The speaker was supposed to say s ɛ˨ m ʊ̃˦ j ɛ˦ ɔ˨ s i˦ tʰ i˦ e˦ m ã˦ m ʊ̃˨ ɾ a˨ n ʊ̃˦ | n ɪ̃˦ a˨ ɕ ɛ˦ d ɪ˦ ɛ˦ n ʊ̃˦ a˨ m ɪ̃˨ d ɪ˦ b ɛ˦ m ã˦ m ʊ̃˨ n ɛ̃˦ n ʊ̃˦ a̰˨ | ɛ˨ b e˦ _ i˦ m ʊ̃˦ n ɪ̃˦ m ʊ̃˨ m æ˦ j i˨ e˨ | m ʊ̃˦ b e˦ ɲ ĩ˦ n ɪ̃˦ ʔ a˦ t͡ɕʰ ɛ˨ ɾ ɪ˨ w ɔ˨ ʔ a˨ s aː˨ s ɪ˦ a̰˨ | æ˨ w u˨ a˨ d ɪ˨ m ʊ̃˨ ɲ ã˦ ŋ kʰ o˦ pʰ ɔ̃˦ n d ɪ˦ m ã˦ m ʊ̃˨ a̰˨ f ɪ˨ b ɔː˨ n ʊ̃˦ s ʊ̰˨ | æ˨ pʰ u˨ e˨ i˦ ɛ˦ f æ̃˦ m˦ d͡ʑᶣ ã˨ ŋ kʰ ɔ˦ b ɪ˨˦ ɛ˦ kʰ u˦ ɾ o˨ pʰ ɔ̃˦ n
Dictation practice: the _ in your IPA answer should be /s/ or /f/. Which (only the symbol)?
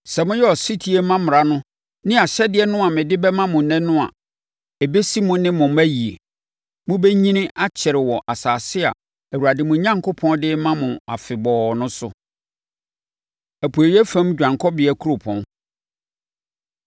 s